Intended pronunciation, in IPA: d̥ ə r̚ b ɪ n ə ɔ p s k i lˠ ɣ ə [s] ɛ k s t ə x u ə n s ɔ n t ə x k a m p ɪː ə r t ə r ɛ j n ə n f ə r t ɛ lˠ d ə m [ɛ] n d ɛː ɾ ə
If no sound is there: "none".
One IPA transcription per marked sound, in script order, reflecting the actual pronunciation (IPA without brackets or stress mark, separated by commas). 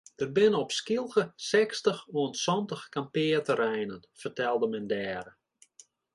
s, ɛ